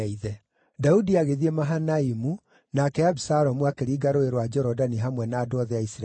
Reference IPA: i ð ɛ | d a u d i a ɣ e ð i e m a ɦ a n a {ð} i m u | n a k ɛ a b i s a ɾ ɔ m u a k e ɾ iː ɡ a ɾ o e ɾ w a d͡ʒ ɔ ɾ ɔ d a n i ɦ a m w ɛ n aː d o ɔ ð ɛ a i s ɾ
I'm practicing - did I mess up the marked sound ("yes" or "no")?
yes